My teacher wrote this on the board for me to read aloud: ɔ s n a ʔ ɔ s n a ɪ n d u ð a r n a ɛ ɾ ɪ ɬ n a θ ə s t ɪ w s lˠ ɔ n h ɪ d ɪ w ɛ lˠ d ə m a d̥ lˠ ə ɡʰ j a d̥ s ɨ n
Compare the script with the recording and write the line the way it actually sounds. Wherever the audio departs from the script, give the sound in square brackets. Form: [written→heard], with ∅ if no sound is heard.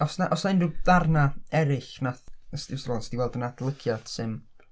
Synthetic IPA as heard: ɔ s n a ʔ ɔ s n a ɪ n d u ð a r n a ɛ ɾ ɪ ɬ n a θ ə s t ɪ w s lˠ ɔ n [h→s] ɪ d [ɪ→i] w ɛ lˠ d ə [m→n] a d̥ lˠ ə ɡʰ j a d̥ s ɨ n